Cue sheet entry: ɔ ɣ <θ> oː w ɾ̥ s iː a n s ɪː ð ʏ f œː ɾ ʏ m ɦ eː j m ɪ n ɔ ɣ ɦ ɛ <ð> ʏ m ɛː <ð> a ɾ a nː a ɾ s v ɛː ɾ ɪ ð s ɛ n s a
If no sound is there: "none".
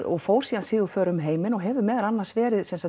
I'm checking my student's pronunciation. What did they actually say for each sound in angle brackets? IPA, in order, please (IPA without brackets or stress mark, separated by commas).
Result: f, v, ð